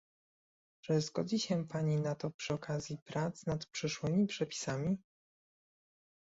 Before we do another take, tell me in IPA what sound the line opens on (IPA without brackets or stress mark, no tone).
ʐ